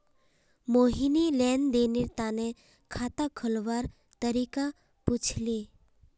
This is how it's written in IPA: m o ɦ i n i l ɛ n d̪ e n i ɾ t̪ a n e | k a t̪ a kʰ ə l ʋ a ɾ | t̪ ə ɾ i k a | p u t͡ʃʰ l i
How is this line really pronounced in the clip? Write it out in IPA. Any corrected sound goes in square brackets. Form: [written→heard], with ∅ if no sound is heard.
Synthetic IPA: m o ɦ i n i l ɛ n d̪ e n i ɾ t̪ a n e | [k→kʰ] a t̪ a kʰ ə l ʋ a ɾ | t̪ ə ɾ i k a | p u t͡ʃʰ l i